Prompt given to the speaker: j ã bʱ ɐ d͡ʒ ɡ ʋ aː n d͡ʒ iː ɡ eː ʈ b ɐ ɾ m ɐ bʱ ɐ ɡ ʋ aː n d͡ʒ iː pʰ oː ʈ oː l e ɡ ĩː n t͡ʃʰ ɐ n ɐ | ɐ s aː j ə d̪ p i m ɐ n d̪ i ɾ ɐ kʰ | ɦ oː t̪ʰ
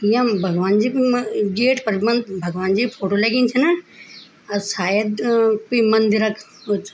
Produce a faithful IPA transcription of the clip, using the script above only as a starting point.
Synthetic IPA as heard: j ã bʱ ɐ ɡ ʋ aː n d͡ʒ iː ɡ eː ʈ p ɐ ɾ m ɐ bʱ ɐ ɡ ʋ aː n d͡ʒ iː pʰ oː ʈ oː l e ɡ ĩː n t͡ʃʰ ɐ n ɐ | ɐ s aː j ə d̪ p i m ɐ n d̪ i ɾ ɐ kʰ | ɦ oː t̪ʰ